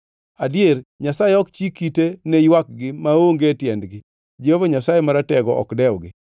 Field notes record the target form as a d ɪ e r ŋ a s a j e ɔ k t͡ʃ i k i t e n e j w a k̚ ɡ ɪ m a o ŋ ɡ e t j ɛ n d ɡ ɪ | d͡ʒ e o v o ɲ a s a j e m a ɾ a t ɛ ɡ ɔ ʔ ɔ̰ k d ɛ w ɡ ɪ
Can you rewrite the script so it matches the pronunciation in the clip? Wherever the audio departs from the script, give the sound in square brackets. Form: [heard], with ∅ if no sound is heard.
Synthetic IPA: a d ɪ e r [ɲ] a s a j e ɔ k t͡ʃ i k i t e n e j w a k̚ ɡ ɪ m a o ŋ ɡ e t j ɛ n d ɡ ɪ | d͡ʒ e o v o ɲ a s a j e m a ɾ a t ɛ ɡ ɔ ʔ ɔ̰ k d ɛ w ɡ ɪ